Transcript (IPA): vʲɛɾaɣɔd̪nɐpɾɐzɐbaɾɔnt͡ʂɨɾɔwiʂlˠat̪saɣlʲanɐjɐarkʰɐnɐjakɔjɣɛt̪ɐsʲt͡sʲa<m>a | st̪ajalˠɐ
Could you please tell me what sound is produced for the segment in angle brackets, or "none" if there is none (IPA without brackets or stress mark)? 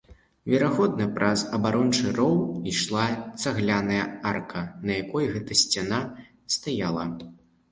n